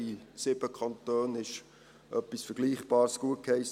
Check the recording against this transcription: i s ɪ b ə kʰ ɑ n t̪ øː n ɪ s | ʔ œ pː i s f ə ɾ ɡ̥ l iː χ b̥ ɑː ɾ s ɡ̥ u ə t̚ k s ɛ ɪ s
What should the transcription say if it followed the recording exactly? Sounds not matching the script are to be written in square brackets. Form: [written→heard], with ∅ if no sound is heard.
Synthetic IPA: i s ɪ b ə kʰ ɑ n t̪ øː n ɪ [s→ʃ] | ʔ œ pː i s f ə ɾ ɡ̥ l iː χ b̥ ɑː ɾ s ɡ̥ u ə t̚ k [s→h] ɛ ɪ s